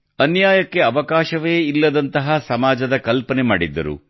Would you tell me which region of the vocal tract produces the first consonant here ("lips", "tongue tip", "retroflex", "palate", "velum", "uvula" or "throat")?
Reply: tongue tip